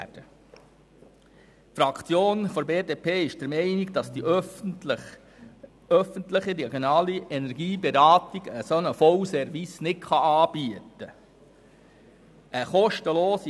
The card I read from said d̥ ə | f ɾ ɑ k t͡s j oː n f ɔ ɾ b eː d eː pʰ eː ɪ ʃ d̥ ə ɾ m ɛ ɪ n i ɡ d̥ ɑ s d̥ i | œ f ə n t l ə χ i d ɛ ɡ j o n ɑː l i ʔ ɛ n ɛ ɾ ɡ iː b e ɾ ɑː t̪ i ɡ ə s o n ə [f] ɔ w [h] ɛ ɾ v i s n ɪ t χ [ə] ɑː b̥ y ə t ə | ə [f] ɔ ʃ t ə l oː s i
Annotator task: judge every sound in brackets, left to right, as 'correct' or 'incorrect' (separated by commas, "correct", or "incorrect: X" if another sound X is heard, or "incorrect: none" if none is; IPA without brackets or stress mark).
correct, incorrect: s, incorrect: ɑ, incorrect: χ